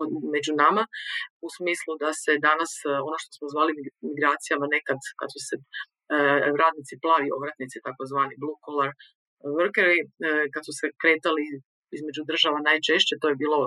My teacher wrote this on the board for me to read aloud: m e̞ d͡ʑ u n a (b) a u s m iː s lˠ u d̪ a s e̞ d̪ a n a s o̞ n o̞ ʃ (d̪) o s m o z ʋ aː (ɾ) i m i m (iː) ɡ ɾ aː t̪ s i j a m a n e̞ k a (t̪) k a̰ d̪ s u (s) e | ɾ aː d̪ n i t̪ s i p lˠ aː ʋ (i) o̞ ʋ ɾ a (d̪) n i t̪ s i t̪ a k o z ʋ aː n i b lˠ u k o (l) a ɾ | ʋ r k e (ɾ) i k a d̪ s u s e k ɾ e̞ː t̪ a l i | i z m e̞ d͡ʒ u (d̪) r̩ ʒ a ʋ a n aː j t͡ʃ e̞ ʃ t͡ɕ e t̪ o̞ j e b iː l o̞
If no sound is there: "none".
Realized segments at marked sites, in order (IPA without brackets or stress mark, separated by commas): m, t̪, l, i, d̪, s, i, t̪, l, ɾ, d̪